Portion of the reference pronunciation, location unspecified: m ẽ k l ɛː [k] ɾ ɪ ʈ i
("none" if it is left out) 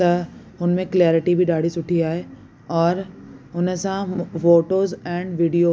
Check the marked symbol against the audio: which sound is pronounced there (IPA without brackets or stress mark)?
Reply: none